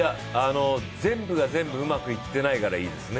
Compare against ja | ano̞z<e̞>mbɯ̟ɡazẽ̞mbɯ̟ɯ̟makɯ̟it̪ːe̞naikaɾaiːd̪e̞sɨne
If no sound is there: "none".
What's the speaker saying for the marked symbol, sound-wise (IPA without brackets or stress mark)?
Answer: ẽ̞